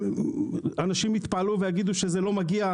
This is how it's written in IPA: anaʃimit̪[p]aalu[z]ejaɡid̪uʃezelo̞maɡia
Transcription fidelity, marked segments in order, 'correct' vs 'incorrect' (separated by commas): correct, incorrect